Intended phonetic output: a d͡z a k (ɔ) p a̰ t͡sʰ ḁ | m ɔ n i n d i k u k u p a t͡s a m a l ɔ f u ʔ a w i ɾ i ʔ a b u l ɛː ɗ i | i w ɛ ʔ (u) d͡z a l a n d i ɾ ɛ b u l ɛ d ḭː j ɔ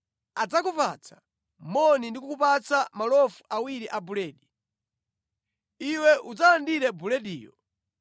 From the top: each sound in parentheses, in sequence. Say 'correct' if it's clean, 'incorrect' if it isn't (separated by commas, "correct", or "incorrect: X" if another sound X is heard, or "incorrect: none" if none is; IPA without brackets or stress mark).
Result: incorrect: u, correct